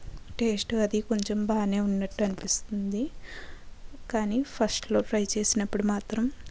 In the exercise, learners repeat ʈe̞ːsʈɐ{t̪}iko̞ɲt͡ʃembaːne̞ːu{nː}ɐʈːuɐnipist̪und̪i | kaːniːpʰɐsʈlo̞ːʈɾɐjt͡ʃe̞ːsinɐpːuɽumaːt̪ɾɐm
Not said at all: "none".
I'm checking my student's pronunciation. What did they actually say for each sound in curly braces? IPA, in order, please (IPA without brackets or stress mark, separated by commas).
d̪, nː